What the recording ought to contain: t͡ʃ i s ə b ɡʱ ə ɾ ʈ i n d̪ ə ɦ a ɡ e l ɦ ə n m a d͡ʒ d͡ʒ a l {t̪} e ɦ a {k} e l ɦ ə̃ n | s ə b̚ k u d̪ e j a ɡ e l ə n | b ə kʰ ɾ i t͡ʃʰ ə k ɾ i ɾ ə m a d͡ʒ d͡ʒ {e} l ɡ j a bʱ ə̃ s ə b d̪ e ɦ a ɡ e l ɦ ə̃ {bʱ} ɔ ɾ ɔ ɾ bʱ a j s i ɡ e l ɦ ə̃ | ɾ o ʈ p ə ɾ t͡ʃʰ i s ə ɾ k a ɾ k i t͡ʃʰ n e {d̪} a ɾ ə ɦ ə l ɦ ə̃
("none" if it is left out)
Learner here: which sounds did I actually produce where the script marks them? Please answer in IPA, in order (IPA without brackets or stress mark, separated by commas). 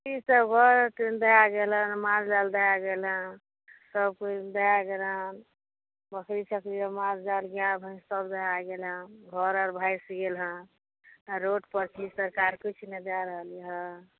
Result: d̪, ɡ, a, ɡʱ, d̪